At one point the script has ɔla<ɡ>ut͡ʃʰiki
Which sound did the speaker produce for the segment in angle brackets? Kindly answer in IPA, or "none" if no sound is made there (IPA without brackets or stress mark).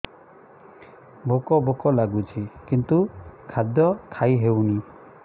ɡ